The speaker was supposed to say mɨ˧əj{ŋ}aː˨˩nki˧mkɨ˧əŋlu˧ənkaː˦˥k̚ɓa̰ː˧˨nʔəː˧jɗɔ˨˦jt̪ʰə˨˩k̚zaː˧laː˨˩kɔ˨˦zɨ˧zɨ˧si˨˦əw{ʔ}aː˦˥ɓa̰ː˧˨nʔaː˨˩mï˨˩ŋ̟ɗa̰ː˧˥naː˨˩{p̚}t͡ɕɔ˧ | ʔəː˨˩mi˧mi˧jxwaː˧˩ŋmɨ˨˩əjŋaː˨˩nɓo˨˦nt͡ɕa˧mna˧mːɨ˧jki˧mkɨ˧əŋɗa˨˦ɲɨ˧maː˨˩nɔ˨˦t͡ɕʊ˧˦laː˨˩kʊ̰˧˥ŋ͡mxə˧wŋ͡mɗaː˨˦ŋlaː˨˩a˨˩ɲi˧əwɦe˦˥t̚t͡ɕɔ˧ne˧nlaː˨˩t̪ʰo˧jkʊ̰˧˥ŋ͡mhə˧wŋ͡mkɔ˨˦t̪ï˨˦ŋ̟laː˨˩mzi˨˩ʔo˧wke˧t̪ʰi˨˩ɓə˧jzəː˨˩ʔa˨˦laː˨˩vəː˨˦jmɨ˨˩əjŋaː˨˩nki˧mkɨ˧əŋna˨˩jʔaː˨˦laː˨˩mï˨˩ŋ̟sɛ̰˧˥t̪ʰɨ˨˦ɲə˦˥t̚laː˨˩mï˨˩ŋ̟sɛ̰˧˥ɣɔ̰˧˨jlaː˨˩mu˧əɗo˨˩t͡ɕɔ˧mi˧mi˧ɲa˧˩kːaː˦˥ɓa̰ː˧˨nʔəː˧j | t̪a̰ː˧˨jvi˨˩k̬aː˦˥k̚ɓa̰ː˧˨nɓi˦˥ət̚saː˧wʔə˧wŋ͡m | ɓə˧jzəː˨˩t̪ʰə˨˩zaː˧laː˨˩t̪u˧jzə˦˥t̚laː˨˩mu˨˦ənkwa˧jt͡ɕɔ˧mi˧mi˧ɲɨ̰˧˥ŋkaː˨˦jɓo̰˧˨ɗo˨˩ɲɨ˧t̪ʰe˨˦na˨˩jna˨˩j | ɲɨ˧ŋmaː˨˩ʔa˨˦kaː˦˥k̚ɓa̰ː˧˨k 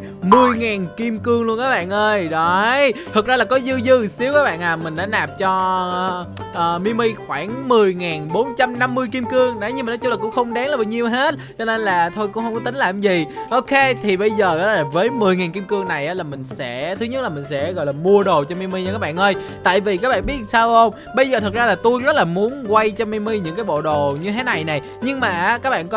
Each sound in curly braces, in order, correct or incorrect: correct, incorrect: k, correct

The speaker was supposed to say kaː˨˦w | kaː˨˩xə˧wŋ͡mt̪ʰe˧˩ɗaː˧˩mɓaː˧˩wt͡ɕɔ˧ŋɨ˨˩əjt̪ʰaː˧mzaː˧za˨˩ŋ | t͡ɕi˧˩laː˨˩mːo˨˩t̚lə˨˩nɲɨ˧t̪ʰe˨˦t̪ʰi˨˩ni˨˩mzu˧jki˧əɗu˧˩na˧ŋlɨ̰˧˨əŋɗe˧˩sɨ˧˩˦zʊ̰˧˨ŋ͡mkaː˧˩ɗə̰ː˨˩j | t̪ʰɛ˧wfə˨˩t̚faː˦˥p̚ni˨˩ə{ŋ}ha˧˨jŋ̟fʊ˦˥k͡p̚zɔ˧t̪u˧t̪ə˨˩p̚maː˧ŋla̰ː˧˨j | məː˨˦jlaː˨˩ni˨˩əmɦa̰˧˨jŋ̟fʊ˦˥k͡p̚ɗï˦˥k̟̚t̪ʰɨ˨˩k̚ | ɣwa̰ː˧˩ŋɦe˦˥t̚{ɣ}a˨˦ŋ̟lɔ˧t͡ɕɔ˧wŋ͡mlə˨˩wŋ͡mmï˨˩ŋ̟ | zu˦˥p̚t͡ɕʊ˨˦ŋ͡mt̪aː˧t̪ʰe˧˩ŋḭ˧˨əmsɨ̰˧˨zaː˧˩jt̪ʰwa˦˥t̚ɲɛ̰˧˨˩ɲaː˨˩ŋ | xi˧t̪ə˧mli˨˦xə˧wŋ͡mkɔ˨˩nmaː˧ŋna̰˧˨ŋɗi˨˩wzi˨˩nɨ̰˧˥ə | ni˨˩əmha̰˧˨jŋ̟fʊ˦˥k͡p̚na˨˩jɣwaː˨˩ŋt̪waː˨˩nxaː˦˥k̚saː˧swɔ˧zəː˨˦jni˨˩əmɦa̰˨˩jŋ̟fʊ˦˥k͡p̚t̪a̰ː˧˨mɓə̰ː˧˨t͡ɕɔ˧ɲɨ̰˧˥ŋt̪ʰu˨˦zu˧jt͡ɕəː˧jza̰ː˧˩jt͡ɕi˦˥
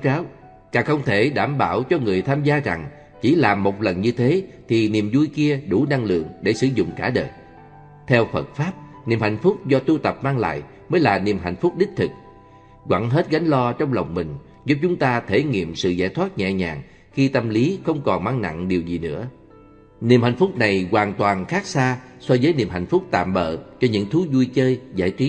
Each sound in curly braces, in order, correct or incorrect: incorrect: m, correct

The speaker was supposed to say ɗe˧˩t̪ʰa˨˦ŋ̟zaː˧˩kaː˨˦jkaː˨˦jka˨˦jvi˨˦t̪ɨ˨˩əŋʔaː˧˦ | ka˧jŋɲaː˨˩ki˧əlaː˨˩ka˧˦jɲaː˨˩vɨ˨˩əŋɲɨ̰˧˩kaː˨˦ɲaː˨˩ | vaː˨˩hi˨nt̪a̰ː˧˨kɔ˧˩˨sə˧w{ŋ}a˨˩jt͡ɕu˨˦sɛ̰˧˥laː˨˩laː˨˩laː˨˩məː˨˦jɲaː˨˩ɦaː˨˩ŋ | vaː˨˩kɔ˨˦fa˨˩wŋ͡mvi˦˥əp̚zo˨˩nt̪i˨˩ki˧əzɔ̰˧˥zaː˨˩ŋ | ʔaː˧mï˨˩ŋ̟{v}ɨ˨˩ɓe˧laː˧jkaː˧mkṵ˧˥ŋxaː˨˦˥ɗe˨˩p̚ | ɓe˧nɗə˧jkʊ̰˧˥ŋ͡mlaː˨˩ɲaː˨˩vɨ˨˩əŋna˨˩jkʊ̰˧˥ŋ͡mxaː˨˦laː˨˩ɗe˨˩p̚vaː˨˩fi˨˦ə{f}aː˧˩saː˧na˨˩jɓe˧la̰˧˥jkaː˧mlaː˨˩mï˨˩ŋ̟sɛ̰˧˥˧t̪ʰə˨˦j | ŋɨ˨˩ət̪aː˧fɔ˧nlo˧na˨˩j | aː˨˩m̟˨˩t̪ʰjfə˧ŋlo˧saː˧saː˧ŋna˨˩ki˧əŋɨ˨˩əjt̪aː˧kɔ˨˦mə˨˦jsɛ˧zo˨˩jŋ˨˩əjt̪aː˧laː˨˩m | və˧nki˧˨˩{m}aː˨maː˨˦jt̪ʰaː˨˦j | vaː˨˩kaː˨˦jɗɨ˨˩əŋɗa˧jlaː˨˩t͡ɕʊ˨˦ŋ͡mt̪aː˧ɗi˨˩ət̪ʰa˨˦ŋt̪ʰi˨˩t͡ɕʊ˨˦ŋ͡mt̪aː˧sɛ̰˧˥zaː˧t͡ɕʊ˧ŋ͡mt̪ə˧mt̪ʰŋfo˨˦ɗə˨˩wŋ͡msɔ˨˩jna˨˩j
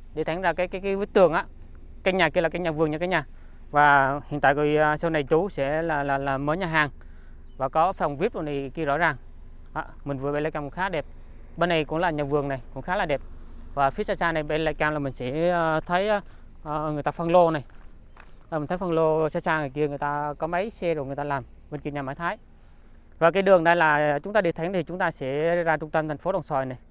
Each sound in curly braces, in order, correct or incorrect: incorrect: n, correct, incorrect: s, incorrect: ɲ

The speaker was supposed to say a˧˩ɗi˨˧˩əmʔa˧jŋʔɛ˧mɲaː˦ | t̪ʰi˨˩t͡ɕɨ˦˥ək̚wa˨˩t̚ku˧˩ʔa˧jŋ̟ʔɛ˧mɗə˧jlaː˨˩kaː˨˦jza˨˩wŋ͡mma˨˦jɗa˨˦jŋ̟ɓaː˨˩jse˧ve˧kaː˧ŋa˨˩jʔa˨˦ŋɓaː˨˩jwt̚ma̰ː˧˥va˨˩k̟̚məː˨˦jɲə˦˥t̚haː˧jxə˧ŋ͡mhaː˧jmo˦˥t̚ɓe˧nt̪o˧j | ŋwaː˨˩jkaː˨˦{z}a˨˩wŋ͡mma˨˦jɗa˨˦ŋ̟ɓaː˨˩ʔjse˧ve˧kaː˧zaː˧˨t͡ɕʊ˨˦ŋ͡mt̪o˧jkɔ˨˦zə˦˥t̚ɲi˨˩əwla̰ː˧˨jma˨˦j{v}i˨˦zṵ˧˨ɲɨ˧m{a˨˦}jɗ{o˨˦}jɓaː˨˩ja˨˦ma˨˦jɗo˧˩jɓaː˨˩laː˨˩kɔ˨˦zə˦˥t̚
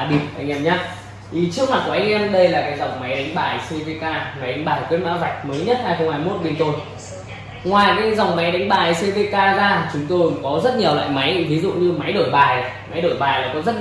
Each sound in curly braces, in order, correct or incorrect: correct, correct, correct, incorrect: o˧˩

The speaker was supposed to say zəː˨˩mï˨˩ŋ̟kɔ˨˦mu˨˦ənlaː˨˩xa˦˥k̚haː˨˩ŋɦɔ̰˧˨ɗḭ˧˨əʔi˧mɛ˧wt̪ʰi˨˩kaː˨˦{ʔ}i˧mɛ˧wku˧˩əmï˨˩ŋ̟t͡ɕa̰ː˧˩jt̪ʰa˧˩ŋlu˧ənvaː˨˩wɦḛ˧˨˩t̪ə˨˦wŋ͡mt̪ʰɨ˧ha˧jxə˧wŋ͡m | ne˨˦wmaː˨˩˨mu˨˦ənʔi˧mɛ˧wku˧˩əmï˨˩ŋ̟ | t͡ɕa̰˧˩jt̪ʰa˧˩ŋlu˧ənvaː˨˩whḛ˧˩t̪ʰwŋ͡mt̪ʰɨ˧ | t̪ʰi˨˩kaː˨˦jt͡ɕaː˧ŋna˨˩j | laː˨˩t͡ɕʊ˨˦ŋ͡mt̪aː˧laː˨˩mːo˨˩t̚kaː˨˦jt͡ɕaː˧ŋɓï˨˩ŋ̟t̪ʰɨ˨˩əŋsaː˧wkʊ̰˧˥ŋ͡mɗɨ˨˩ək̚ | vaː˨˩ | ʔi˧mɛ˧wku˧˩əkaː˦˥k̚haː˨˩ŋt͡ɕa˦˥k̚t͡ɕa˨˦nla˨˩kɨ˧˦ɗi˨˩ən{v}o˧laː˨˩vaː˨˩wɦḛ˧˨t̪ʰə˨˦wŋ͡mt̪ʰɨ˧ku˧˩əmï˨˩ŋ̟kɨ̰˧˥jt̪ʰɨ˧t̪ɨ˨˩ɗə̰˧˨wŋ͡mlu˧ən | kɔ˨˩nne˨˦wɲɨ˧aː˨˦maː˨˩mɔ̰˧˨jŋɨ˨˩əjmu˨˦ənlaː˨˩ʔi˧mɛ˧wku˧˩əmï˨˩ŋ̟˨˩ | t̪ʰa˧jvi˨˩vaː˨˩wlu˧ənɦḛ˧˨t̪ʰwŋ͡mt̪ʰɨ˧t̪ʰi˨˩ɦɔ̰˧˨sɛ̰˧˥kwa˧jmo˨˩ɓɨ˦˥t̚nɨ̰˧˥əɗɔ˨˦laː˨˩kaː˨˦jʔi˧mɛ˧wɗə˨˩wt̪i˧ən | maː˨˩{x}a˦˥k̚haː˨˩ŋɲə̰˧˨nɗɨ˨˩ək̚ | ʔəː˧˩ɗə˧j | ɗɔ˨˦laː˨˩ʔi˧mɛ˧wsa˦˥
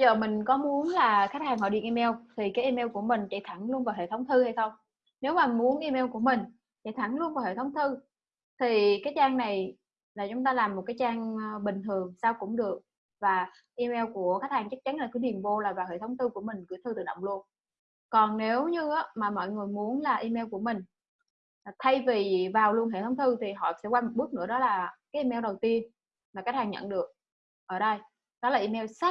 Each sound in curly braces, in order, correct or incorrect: correct, correct, incorrect: k

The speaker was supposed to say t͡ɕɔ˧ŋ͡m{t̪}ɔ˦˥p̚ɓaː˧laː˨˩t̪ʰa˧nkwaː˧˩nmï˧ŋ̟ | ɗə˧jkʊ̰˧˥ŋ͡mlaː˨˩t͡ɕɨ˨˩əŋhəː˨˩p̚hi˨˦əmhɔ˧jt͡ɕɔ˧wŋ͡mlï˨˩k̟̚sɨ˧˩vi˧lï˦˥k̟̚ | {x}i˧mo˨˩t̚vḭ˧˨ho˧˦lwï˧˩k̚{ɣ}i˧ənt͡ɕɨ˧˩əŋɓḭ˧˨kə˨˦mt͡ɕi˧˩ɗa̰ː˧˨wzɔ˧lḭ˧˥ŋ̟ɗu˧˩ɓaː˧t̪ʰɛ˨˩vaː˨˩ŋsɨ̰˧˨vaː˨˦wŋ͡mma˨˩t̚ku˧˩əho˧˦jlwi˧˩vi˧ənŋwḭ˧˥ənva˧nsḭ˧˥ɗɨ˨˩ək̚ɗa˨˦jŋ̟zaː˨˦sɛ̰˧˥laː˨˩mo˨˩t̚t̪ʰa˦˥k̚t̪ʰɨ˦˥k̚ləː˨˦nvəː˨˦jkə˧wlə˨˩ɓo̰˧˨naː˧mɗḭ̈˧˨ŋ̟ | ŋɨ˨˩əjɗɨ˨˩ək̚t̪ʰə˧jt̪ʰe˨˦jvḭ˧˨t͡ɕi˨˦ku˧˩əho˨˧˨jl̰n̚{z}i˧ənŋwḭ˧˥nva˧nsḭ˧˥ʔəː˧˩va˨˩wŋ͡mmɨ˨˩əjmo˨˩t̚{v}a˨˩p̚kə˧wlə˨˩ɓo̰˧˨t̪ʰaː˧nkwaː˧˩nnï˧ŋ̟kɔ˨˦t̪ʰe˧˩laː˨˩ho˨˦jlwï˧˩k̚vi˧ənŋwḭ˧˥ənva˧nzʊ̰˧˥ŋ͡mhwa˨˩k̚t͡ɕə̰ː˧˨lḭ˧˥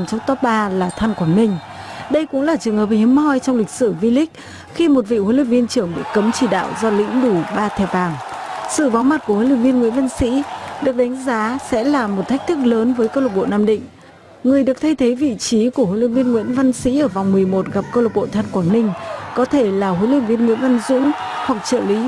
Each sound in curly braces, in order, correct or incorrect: correct, correct, incorrect: v, incorrect: v, incorrect: ɣ

